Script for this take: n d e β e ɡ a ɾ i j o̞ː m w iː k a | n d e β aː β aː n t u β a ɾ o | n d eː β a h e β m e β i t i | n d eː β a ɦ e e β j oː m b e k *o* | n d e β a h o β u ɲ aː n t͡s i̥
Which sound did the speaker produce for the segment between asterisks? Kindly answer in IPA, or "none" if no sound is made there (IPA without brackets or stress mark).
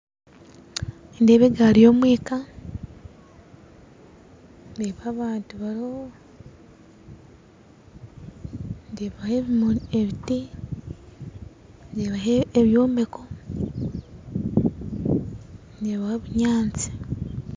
o